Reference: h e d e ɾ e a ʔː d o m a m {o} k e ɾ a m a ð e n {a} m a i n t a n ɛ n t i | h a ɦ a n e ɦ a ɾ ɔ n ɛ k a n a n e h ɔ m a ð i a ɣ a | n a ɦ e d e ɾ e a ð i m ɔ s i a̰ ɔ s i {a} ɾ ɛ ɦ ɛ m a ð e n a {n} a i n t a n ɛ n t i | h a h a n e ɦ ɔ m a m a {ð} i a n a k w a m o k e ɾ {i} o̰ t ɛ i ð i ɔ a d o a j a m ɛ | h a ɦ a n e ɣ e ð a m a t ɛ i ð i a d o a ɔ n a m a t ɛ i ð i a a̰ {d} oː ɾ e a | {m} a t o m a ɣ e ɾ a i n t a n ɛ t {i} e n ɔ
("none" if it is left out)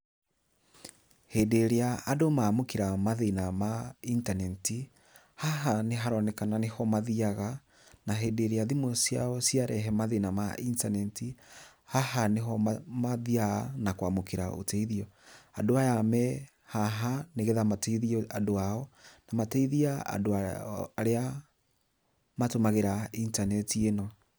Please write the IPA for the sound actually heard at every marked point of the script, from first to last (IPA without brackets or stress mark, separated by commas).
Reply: o, a, a, m, ð, a, d, m, i